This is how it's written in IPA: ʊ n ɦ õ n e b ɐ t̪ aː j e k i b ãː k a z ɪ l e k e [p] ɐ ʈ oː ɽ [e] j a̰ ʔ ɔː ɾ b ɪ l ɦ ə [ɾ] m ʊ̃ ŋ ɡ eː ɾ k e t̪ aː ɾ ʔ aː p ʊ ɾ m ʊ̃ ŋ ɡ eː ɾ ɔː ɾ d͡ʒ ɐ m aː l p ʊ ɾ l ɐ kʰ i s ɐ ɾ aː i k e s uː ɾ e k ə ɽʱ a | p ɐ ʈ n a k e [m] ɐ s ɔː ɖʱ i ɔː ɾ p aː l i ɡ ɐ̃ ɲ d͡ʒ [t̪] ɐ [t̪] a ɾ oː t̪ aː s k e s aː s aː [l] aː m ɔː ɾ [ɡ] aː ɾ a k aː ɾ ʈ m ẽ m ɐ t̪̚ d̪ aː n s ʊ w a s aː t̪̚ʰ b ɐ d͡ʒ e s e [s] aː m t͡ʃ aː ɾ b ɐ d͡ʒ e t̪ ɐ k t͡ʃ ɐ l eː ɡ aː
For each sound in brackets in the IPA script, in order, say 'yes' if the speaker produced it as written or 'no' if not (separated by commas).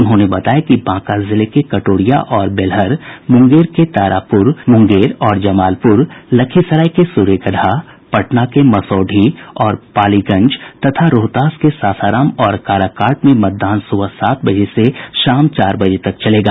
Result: no, no, yes, yes, yes, no, no, no, no